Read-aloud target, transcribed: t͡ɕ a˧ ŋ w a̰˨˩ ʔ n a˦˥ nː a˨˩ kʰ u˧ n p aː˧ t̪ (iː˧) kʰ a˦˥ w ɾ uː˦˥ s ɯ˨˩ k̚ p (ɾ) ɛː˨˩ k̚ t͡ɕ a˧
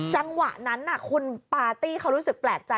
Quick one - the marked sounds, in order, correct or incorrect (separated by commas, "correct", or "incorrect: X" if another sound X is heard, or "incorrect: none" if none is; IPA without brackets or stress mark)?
incorrect: iː˥˩, incorrect: l